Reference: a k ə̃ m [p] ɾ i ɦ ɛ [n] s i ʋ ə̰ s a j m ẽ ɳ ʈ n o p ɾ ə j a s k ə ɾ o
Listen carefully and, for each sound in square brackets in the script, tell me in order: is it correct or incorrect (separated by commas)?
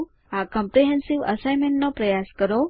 correct, correct